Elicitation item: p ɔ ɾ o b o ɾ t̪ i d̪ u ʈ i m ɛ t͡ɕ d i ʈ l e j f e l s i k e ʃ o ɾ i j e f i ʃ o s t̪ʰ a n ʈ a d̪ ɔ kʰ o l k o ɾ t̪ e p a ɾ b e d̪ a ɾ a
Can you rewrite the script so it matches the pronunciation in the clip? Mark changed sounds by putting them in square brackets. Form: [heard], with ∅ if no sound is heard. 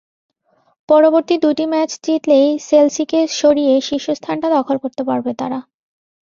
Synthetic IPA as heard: p ɔ ɾ o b o ɾ t̪ i d̪ u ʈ i m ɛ t͡ɕ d i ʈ l e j [s] e l s i k e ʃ o ɾ i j e [ʃ] i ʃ o s t̪ʰ a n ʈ a d̪ ɔ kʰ o l k o ɾ t̪ e p a ɾ b e [t̪] a ɾ a